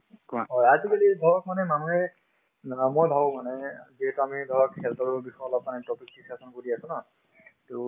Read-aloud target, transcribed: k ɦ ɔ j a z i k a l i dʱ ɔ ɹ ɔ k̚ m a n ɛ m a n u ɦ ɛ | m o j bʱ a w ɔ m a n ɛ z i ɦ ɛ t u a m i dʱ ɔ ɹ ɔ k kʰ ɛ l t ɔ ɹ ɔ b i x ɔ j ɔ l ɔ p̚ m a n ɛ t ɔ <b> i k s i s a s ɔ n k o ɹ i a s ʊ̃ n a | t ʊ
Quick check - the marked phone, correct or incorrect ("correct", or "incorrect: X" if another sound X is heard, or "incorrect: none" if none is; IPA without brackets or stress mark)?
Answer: incorrect: p